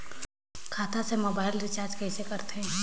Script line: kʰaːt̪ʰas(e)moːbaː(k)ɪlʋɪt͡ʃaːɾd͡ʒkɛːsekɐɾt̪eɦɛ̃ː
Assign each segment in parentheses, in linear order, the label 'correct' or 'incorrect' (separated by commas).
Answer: correct, incorrect